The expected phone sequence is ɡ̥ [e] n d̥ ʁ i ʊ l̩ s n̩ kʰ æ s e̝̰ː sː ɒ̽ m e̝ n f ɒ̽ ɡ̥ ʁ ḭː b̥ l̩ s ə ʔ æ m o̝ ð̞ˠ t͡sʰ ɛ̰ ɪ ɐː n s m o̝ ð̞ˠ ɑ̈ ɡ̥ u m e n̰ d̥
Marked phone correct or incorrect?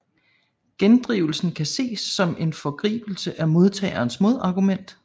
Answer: correct